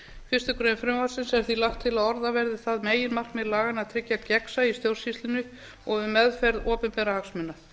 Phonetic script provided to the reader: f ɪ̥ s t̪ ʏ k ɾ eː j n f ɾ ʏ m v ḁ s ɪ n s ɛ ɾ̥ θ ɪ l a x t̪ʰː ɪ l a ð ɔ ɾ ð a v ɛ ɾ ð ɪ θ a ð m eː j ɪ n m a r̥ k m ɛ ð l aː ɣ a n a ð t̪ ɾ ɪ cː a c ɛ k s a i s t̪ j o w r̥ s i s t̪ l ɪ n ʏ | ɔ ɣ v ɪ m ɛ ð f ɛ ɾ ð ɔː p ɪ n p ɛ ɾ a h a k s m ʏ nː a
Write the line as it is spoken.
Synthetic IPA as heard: f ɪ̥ s t̪ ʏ k ɾ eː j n f ɾ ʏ m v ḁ s ɪ n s ɛ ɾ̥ θ i l a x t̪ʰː ɪ l a ð ɔ ɾ ð a v ɛ ɾ ð ɪ θ a ð m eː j ɪ n m a r̥ k m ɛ ð l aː ɣ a n a ð t̪ʰ ɾ ɪ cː a c ɛ k s a i s t̪ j o w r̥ s i s t̪ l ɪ n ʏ | ɔ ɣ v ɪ m ɛ ð f ɛ ɾ ð ɔː p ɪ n p ɛ ɾ a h a k s m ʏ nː a